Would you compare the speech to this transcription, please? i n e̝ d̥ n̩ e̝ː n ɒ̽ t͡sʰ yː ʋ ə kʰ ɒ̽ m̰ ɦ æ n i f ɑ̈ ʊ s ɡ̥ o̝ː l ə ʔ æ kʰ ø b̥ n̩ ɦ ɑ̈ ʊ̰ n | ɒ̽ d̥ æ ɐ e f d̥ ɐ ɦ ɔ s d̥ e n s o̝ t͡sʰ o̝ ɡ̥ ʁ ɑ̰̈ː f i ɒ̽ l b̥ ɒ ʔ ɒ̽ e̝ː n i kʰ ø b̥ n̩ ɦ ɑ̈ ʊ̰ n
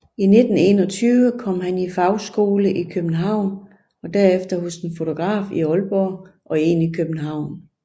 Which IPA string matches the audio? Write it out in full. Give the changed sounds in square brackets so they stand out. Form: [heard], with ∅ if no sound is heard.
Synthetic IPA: i n e̝ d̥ n̩ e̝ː n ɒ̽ t͡sʰ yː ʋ ə kʰ ɒ̽ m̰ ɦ æ n i f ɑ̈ ʊ s ɡ̥ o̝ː l ə ʔ [i] kʰ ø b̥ n̩ ɦ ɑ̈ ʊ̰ n | ɒ̽ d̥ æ ɐ e f d̥ ɐ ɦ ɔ s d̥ e n [f] o̝ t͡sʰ o̝ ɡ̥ ʁ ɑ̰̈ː f i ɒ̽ l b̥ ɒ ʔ ɒ̽ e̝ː n i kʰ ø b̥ n̩ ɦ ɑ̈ ʊ̰ n